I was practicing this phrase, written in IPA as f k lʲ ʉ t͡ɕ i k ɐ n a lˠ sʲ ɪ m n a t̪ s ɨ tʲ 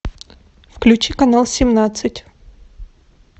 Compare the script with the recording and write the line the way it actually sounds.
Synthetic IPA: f k lʲ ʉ t͡ɕ i k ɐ n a lˠ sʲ ɪ m n a t̪ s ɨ tʲ